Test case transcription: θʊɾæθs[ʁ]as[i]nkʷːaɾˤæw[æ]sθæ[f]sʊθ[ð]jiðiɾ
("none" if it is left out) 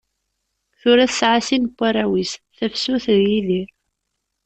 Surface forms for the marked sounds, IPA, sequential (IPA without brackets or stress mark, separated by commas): ʕ, i, i, f, ð